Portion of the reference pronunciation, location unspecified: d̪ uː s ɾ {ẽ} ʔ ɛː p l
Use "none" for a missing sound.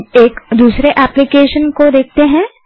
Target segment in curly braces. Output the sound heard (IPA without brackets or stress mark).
e